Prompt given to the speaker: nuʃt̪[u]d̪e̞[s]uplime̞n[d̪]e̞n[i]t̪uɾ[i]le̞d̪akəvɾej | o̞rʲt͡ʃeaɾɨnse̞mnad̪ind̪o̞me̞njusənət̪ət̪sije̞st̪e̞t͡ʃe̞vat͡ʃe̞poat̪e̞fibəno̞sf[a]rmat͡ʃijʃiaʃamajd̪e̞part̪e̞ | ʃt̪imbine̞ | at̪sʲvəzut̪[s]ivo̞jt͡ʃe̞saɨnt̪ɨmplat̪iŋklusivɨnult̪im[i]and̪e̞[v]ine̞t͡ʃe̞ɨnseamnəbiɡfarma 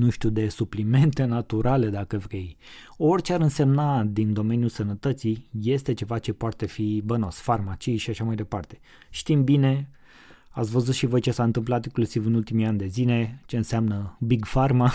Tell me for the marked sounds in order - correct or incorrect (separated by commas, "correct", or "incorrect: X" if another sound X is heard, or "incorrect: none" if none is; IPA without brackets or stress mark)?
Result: correct, correct, incorrect: t̪, incorrect: a, incorrect: a, correct, incorrect: ʃ, correct, incorrect: z